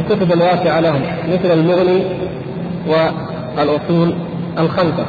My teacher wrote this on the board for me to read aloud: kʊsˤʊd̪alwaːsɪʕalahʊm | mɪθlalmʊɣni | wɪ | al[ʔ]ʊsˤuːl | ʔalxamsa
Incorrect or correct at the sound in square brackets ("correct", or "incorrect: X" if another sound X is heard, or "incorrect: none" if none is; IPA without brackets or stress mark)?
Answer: correct